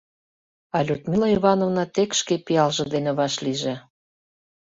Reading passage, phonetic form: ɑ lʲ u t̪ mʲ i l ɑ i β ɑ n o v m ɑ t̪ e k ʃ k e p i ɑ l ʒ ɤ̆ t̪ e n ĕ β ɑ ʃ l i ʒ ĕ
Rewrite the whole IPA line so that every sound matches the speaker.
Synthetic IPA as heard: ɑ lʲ u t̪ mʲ i l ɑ i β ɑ n o v n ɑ t̪ e k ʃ k e p i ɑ l ʒ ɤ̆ d̪ e n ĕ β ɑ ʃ l i ʒ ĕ